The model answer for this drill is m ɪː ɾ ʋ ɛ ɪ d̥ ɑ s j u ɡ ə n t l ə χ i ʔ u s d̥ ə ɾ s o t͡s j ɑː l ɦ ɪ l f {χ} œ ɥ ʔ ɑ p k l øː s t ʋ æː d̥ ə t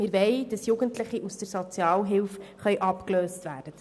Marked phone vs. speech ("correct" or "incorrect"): correct